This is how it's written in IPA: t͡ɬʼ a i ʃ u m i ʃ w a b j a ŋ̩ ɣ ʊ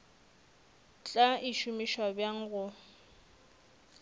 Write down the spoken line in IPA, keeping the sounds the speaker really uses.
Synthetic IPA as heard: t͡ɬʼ a i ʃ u m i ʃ w a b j a ŋ̩ ɣ ʊ